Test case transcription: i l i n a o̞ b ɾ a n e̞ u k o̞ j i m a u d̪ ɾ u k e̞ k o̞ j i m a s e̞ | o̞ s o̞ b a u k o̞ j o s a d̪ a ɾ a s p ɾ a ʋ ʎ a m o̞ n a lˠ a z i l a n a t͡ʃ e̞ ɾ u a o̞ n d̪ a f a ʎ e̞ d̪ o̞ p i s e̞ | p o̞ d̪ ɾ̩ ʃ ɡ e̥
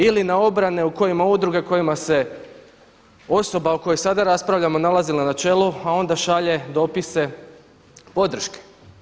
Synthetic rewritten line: i l i n a o̞ b ɾ a n e̞ u k o̞ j i m a u d̪ ɾ u ɡ e̞ k o̞ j i m a s e̞ | o̞ s o̞ b a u k o̞ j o s a d̪ a ɾ a s p ɾ a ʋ ʎ a m o̞ n a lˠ a z i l a n a t͡ʃ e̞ l u a o̞ n d̪ a ʃ a ʎ e̞ d̪ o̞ p i s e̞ | p o̞ d̪ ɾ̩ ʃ k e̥